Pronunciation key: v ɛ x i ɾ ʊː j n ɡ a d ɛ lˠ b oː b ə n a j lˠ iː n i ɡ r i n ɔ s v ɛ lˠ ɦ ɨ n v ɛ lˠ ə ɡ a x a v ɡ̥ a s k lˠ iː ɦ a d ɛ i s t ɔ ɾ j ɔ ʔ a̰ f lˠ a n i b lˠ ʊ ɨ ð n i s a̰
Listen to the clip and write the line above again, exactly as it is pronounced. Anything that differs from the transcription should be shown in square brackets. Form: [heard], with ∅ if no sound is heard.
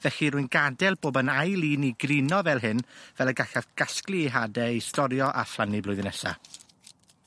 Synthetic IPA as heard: v ɛ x i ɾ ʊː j n ɡ a d ɛ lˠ b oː b ə n a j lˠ iː n i ɡ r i n ɔ [∅] v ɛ lˠ ɦ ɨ n v ɛ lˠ ə ɡ a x a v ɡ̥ a s k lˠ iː ɦ a d ɛ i s t ɔ ɾ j ɔ ʔ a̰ f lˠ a n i b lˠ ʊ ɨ ð n [ɛ] s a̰